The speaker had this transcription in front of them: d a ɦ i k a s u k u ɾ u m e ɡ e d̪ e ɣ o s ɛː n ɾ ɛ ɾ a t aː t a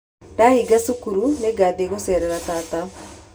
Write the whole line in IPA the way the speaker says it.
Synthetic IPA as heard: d a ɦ i ɡ a s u k u ɾ u n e ɡ a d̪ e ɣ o s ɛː ɾ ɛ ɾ a t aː t a